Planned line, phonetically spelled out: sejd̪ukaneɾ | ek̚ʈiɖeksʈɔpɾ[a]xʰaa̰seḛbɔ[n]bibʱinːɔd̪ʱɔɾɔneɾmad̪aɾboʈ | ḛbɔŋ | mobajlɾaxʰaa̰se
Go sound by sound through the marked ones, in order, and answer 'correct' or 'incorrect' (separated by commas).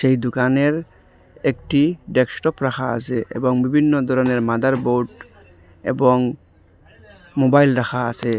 correct, incorrect